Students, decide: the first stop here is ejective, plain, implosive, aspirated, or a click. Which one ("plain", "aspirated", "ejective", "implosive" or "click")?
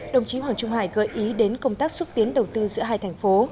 implosive